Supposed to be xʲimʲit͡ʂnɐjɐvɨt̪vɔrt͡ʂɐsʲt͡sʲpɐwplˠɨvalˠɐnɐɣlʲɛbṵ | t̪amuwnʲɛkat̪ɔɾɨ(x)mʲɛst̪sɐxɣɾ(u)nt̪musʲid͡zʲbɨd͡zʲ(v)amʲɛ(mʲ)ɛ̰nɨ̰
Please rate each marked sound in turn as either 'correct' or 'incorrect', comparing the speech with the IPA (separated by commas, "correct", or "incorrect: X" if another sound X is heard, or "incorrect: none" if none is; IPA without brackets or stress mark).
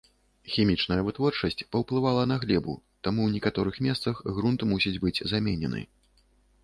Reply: correct, correct, incorrect: z, incorrect: nʲ